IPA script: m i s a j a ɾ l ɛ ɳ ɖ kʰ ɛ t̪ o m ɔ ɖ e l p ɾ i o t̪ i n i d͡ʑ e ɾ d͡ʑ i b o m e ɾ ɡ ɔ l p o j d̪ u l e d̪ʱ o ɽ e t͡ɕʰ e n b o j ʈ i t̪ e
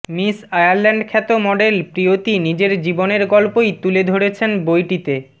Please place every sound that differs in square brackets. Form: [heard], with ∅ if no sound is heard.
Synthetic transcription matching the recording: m i s a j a ɾ l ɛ ɳ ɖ kʰ ɛ t̪ o m ɔ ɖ e l p ɾ i o t̪ i n i d͡ʑ e ɾ d͡ʑ i b o [n] e ɾ ɡ ɔ l p o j [t̪] u l e d̪ʱ o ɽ e t͡ɕʰ e n b o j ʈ i t̪ e